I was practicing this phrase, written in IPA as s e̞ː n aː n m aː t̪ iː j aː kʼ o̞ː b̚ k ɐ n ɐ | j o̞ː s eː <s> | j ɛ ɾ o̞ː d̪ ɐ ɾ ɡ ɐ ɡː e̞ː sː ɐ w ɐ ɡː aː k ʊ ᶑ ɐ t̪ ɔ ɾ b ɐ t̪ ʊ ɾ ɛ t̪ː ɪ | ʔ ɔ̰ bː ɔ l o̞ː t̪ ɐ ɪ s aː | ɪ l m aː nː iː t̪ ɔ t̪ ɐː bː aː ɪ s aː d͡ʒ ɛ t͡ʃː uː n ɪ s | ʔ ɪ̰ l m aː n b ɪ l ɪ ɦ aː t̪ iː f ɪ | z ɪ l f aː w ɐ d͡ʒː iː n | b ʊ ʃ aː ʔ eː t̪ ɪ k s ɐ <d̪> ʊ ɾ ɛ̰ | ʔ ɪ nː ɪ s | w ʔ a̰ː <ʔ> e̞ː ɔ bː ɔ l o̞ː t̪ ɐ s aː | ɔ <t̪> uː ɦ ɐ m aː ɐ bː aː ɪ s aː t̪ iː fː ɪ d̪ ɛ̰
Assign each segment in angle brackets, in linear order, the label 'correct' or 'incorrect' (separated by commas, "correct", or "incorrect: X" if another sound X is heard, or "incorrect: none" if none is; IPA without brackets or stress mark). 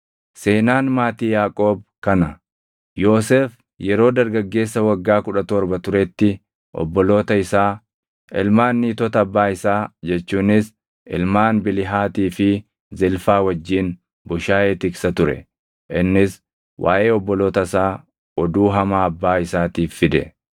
incorrect: f, incorrect: t̪, correct, incorrect: d̪